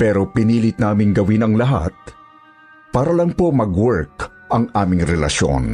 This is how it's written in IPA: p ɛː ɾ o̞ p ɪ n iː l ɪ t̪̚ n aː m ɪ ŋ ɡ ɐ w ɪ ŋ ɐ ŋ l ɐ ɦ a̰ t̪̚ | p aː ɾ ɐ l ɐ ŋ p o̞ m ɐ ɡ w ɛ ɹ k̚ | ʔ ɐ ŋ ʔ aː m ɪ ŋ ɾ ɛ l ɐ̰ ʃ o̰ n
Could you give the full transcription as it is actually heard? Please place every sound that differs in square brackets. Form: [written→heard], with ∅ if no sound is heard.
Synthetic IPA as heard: p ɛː ɾ o̞ p ɪ n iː l ɪ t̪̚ n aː m ɪ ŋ ɡ ɐ w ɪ [ŋ→n] ɐ ŋ l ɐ ɦ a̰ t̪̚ | p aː ɾ ɐ l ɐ ŋ p o̞ m ɐ ɡ w ɛ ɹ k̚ | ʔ ɐ ŋ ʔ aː m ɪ ŋ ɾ ɛ l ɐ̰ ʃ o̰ n